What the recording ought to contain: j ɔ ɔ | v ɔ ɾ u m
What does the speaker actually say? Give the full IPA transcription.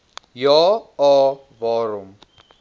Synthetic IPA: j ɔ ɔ | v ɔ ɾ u m

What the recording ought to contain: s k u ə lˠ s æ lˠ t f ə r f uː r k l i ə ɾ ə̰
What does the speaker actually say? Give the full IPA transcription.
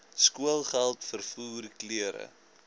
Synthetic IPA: s k u ə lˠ χ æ lˠ t f ə r f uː r k l i ə ɾ ə̰

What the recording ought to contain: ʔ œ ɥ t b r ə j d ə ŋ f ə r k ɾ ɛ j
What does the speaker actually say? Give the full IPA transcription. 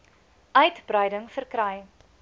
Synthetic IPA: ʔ œ ɥ t b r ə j d ə ŋ f ə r k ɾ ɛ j

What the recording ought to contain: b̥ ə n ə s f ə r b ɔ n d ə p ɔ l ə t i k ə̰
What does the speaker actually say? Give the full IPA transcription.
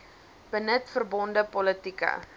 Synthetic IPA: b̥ ə n ə t f ə r b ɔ n d ə p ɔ l ə t i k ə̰

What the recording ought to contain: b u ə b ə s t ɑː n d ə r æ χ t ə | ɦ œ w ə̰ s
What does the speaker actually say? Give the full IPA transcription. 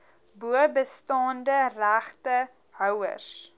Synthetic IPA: b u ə b ə s t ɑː n d ə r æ χ t ə | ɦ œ w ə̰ s

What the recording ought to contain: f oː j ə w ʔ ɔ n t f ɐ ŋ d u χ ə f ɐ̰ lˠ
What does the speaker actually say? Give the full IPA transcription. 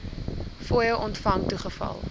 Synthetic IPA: f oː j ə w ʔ ɔ n t f ɐ ŋ t u χ ə f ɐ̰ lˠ

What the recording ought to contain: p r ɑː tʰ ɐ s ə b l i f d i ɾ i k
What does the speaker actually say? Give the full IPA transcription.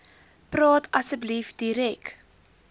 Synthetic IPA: p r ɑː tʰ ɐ s ə b l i f d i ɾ ɛ k

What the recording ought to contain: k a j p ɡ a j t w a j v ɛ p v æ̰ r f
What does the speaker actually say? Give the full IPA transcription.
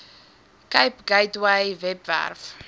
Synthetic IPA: k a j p ɡ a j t w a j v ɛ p v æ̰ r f

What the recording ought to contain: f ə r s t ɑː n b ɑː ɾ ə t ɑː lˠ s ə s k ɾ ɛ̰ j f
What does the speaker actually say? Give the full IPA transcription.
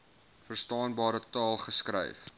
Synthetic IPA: f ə r s t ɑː n b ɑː ɾ ə t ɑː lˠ χ ə s k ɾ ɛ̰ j f

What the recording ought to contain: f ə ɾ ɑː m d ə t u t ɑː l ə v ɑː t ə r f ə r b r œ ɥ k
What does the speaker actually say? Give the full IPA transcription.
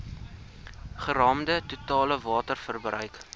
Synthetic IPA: χ ə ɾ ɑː m d ə t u t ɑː l ə v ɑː t ə r f ə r b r œ ɥ k

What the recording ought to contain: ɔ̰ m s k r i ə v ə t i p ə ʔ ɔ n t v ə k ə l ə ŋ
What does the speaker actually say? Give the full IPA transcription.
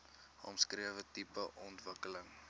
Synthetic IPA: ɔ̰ m s k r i ə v ə t i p ə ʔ ɔ n t v ə k ə l ə ŋ

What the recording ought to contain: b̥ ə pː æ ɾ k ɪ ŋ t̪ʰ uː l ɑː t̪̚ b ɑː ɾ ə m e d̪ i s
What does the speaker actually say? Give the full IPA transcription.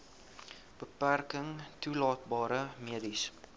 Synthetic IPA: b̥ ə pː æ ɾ k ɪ ŋ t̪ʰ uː l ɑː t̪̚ b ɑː ɾ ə m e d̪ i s

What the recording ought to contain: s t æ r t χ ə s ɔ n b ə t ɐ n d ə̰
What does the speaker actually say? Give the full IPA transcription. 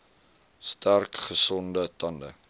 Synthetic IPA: s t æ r k χ ə s ɔ n d ə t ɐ n d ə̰

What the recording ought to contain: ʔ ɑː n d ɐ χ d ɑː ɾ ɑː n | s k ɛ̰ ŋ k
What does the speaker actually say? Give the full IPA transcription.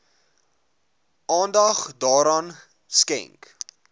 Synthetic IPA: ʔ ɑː n d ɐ χ d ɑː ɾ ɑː n | s k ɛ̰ ŋ k

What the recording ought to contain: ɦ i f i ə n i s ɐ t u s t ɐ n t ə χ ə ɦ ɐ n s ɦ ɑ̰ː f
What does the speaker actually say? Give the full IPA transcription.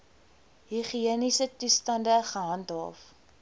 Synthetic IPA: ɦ i χ i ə n i s ə t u s t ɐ n d ə χ ə ɦ ɐ n t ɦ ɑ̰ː f

